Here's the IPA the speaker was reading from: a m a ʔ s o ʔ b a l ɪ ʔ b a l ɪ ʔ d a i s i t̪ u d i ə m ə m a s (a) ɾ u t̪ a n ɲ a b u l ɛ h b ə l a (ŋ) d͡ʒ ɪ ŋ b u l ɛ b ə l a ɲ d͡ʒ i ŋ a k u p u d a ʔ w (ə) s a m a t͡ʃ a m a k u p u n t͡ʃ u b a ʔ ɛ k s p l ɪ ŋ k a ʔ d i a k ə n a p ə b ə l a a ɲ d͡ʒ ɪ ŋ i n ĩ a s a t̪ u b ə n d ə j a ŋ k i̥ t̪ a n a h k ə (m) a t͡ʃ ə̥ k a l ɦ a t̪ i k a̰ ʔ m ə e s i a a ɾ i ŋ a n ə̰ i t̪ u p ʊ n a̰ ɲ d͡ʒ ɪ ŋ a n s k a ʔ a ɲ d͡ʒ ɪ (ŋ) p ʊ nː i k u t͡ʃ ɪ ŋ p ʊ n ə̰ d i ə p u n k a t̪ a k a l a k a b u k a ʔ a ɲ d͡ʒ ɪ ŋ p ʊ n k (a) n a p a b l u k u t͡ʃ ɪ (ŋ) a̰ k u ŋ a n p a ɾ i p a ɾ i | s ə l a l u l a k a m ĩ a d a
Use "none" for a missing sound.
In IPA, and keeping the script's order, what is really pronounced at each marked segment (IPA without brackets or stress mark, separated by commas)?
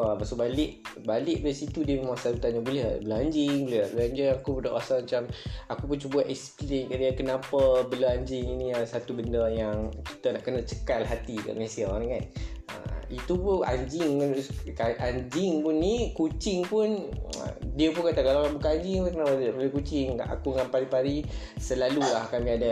a, ɲ, a, n, ŋ, ə, ŋ